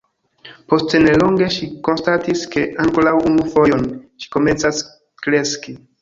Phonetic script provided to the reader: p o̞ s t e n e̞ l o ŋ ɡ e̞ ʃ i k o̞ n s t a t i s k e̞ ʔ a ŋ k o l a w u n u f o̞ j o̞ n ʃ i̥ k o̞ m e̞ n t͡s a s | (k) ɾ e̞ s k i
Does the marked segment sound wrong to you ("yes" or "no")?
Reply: no